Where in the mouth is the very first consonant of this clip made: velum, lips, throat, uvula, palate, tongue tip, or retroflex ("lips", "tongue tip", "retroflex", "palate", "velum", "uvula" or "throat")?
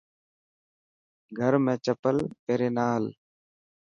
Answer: velum